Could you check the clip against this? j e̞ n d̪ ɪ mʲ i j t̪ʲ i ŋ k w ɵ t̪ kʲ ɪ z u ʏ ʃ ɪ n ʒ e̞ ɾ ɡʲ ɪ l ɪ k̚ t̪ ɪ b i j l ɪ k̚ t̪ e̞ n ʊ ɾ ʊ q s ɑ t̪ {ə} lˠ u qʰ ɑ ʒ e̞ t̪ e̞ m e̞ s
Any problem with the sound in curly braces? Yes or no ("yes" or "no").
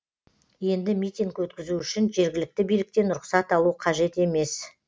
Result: yes